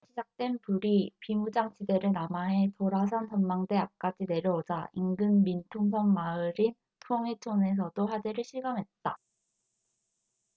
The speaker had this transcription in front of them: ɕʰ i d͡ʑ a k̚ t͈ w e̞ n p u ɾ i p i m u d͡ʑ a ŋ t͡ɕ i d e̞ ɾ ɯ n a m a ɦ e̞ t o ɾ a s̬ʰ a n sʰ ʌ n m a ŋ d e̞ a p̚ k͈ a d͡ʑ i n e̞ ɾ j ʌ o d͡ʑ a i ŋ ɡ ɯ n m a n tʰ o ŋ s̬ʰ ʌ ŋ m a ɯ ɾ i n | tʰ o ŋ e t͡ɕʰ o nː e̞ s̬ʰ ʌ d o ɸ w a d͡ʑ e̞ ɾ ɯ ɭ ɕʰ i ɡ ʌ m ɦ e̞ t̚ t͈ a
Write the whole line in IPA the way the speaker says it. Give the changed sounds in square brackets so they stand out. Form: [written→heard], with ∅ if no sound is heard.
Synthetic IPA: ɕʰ i d͡ʑ a k̚ t͈ w e̞ n p u ɾ i p i m u d͡ʑ a ŋ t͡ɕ i d e̞ ɾ ɯ n a m a ɦ e̞ t o ɾ a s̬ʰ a n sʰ ʌ n m a ŋ d e̞ a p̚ k͈ a d͡ʑ i n e̞ ɾ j ʌ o d͡ʑ a i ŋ ɡ ɯ n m [a→i] n tʰ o ŋ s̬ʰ ʌ ŋ m a ɯ ɾ i n | tʰ o ŋ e t͡ɕʰ o [nː→n] e̞ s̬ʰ ʌ d o ɸ w a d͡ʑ e̞ ɾ ɯ ɭ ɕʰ i ɡ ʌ m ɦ e̞ t̚ t͈ a

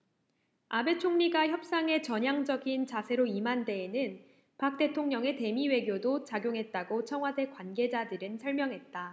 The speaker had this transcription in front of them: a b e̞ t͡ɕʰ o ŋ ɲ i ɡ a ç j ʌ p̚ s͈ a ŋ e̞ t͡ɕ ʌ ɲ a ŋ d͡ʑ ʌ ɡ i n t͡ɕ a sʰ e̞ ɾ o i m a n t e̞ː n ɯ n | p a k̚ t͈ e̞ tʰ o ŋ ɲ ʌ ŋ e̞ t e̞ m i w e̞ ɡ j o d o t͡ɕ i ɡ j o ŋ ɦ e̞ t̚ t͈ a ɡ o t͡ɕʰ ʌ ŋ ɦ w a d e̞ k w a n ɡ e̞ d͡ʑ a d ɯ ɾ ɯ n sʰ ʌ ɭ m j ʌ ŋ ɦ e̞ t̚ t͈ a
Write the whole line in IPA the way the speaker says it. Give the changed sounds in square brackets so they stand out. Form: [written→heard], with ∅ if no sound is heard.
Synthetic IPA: a b e̞ t͡ɕʰ o ŋ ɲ i ɡ a ç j ʌ p̚ s͈ a ŋ e̞ t͡ɕ ʌ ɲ a ŋ d͡ʑ ʌ ɡ i n t͡ɕ a sʰ e̞ ɾ o i m a n [t→d] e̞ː n ɯ n | p a k̚ t͈ e̞ tʰ o ŋ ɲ ʌ ŋ e̞ t e̞ m i w e̞ ɡ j o d o t͡ɕ [i→a] ɡ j o ŋ ɦ e̞ t̚ t͈ a ɡ o t͡ɕʰ ʌ ŋ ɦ w a d e̞ k w a n ɡ e̞ d͡ʑ a d ɯ ɾ ɯ n sʰ ʌ ɭ m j ʌ ŋ ɦ e̞ t̚ t͈ a

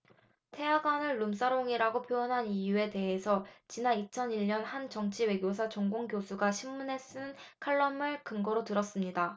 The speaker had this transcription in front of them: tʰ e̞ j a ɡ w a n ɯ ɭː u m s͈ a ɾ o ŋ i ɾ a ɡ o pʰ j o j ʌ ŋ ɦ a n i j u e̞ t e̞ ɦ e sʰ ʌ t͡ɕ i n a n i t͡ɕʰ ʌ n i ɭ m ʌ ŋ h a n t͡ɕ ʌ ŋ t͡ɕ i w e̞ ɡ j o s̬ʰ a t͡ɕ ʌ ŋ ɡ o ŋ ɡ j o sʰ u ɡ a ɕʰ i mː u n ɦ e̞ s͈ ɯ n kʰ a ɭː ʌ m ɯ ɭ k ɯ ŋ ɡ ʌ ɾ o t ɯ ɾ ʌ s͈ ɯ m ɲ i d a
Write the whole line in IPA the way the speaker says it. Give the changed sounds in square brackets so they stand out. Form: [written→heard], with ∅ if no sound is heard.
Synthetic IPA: tʰ e̞ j a ɡ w a n ɯ ɭː u m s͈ a ɾ o ŋ i ɾ a ɡ o pʰ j o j ʌ [ŋ→n] ɦ a n i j u e̞ t e̞ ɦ e sʰ ʌ t͡ɕ i n a n i t͡ɕʰ ʌ n i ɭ [m→ɲ] ʌ [ŋ→n] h a n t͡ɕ ʌ ŋ [t͡ɕ→t͡ɕʰ] i w e̞ ɡ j o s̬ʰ a t͡ɕ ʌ ŋ ɡ o ŋ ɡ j o sʰ u ɡ a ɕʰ i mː u n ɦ e̞ s͈ ɯ n kʰ a ɭː ʌ m ɯ ɭ k ɯ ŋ ɡ ʌ ɾ o t ɯ ɾ ʌ s͈ ɯ m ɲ i d a

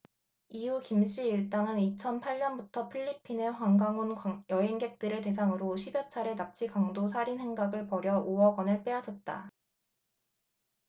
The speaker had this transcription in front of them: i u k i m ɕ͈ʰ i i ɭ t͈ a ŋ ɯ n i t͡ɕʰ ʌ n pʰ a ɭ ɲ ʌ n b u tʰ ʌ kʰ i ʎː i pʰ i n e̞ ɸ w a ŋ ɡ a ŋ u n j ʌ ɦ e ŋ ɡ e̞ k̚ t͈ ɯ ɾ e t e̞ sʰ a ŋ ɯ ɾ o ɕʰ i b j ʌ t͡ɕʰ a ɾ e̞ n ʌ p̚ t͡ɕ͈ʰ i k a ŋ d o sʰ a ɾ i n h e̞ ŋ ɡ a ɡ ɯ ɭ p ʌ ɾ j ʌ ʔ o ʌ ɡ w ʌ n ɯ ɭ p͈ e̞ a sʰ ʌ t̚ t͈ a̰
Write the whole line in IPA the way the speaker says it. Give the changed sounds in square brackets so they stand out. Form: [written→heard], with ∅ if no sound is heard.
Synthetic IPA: i u k i m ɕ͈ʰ i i ɭ t͈ a ŋ ɯ n i t͡ɕʰ ʌ n pʰ a ɭ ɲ ʌ n b u tʰ ʌ [kʰ→pʰ] i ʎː i pʰ i n e̞ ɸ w a ŋ ɡ a ŋ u n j ʌ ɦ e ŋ ɡ e̞ k̚ t͈ ɯ ɾ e t e̞ sʰ a ŋ ɯ ɾ o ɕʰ i b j ʌ t͡ɕʰ a ɾ e̞ n [ʌ→a] p̚ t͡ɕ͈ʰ i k a ŋ d o sʰ a ɾ i n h e̞ ŋ ɡ a ɡ ɯ ɭ p ʌ ɾ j ʌ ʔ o ʌ ɡ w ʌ n ɯ ɭ p͈ e̞ a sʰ ʌ t̚ t͈ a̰

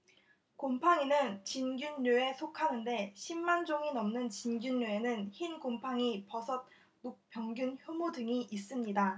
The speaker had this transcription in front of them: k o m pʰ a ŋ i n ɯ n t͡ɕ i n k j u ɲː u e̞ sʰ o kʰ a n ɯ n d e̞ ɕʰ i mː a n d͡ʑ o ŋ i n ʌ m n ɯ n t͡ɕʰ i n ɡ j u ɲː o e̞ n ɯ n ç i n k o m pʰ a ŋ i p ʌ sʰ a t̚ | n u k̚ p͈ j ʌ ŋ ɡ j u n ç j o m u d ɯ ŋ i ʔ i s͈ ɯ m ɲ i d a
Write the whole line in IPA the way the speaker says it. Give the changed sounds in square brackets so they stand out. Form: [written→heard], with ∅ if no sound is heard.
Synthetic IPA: k o m pʰ a ŋ i n ɯ n t͡ɕ i n [k→ɡ] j u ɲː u e̞ sʰ o kʰ a n ɯ n d e̞ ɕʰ i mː a n d͡ʑ o ŋ i n ʌ m n ɯ n [t͡ɕʰ→t͡ɕ] i n ɡ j u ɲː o e̞ n ɯ n ç i n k o m pʰ a ŋ i p ʌ sʰ [a→ʌ] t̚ | n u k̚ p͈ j ʌ ŋ ɡ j u n ç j o m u d ɯ ŋ i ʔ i s͈ ɯ m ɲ i d a

